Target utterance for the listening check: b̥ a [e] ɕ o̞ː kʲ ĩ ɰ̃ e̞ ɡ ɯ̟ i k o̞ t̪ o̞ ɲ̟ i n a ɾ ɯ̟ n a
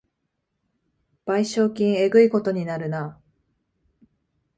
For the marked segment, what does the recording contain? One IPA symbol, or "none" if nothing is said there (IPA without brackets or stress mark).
i